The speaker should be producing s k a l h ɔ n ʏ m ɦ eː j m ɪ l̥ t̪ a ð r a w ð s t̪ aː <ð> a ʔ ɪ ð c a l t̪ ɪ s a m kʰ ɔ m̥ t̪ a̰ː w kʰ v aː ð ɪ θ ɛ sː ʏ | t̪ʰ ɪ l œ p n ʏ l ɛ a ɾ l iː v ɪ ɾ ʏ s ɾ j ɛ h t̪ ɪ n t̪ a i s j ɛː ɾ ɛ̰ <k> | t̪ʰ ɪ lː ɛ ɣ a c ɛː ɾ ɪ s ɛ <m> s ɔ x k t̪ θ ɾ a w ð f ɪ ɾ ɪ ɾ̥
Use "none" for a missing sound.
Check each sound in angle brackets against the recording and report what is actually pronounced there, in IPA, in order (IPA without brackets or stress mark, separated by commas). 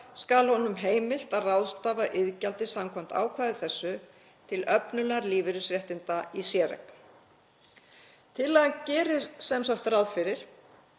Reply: v, k, m